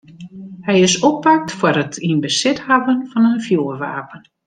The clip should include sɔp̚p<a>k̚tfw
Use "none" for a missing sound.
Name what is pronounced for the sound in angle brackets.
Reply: a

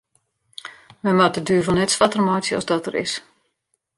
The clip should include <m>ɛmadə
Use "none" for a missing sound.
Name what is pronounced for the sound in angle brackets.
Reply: m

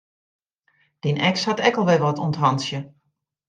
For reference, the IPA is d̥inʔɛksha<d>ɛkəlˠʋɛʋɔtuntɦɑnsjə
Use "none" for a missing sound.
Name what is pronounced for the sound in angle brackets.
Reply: t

